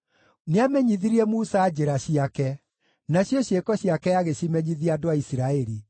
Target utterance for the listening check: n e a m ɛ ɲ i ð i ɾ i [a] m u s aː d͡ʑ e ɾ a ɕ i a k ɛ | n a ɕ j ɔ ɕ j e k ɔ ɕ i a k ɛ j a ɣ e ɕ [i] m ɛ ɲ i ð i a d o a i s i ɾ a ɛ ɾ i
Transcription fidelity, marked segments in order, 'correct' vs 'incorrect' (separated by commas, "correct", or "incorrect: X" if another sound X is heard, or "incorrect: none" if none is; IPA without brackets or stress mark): incorrect: ɛ, correct